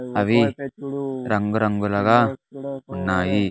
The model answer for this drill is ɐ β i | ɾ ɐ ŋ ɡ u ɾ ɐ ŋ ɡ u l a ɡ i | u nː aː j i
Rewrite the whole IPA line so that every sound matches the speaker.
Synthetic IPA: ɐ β i | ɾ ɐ ŋ ɡ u ɾ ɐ ŋ ɡ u l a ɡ a | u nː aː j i